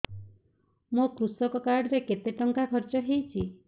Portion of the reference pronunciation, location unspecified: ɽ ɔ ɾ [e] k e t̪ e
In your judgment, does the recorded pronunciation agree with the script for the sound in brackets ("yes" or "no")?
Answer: yes